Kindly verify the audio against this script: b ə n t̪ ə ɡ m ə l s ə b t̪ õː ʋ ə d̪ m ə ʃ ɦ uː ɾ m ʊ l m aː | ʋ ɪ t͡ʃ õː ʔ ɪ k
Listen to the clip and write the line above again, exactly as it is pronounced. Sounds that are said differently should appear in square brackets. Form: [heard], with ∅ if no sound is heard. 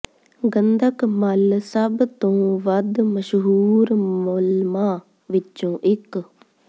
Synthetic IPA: [ɡ] ə n [d̪] ə [k] m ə l s ə b t̪ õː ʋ ə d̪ m ə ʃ ɦ uː ɾ m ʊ l m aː | ʋ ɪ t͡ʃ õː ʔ ɪ k

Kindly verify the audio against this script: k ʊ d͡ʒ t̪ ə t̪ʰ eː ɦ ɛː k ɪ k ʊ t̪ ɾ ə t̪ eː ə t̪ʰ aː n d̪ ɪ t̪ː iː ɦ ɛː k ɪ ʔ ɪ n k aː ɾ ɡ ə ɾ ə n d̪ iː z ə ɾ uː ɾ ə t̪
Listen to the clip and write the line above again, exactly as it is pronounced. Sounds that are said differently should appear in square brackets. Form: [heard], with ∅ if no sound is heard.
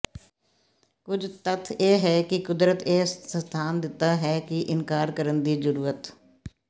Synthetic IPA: k ʊ d͡ʒ t̪ ə t̪ʰ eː ɦ ɛː k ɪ k ʊ [d̪] ɾ ə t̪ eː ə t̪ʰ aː n d̪ ɪ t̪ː [aː] ɦ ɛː k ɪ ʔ ɪ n k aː ɾ [k] ə ɾ ə n d̪ iː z ə ɾ uː ɾ ə t̪

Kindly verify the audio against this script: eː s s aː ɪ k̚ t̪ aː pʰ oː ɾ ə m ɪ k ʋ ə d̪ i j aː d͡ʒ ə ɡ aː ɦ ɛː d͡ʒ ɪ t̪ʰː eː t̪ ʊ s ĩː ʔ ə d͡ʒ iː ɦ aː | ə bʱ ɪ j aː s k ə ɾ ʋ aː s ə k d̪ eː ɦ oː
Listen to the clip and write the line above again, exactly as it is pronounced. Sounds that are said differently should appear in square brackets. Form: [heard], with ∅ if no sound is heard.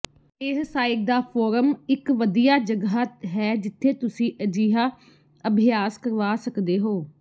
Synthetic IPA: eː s s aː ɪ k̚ [d̪] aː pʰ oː ɾ ə m ɪ k ʋ ə d̪ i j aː d͡ʒ ə ɡ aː ɦ ɛː d͡ʒ ɪ t̪ʰː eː t̪ ʊ s ĩː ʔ ə d͡ʒ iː ɦ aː | ə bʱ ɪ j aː s k ə ɾ ʋ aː s ə k d̪ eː ɦ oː

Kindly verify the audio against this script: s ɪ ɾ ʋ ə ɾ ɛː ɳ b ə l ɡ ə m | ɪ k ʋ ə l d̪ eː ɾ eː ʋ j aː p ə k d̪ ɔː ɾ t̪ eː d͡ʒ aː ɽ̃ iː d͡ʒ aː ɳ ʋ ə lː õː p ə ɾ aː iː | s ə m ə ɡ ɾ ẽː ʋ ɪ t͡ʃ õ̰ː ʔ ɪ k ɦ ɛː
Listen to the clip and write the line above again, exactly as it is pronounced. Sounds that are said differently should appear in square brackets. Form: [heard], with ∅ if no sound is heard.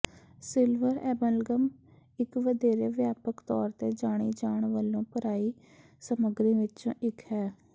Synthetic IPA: s ɪ [l] ʋ ə ɾ ɛː [∅] b ə l ɡ ə m | ɪ k ʋ ə [∅] d̪ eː ɾ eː ʋ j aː p ə k [t̪] ɔː ɾ t̪ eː d͡ʒ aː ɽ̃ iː d͡ʒ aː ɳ ʋ ə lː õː p ə ɾ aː iː | s ə m ə ɡ ɾ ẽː ʋ ɪ t͡ʃ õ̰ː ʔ ɪ k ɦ ɛː

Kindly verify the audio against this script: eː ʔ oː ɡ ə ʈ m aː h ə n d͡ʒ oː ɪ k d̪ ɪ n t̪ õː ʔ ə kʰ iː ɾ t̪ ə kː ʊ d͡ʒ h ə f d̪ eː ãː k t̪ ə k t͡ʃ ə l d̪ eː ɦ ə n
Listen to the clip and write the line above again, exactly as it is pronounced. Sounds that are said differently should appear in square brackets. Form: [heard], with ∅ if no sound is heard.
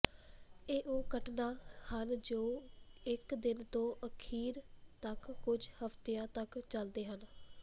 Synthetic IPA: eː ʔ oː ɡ ə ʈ [n] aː h ə n d͡ʒ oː ɪ k d̪ ɪ n t̪ õː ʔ ə kʰ iː ɾ t̪ ə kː ʊ d͡ʒ h ə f [t̪] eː ãː [∅] t̪ ə k t͡ʃ ə l d̪ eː ɦ ə n

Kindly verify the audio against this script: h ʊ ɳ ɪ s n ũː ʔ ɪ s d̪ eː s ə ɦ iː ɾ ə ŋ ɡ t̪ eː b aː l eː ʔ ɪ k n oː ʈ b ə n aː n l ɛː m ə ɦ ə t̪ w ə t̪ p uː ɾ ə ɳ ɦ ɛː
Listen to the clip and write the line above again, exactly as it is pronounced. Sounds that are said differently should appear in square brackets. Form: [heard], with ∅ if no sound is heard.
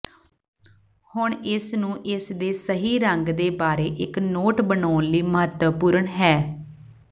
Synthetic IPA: h ʊ ɳ ɪ s n ũː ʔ ɪ s d̪ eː s ə ɦ iː ɾ ə ŋ ɡ [d̪] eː b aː [ɾ] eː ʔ ɪ k n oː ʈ b ə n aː n l [iː] m ə ɦ ə t̪ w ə [∅] p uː ɾ ə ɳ ɦ ɛː

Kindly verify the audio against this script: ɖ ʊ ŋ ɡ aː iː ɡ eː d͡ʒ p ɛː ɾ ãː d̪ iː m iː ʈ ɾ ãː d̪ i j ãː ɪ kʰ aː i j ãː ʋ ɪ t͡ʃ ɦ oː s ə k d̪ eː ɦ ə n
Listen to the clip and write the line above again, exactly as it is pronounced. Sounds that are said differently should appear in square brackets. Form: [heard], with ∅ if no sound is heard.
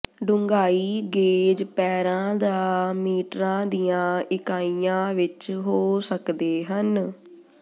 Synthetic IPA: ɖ ʊ ŋ ɡ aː iː ɡ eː d͡ʒ p ɛː ɾ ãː d̪ [aː] m iː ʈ ɾ ãː d̪ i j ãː ɪ [k] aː i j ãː ʋ ɪ t͡ʃ ɦ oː s ə k d̪ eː ɦ ə n

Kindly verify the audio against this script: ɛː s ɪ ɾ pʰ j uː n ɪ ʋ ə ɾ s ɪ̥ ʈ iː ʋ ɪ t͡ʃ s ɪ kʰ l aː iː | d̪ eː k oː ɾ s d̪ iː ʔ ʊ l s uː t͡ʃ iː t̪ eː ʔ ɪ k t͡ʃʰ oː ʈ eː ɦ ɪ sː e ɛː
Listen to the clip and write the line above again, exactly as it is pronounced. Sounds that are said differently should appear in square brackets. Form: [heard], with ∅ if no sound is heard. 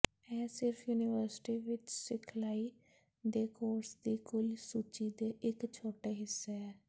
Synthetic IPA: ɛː s ɪ ɾ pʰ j uː n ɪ ʋ ə ɾ s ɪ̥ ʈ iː ʋ ɪ t͡ʃ s ɪ kʰ l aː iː | d̪ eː k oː ɾ s d̪ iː [k] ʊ l s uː t͡ʃ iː [d̪] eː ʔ ɪ k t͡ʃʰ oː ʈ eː ɦ ɪ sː e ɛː

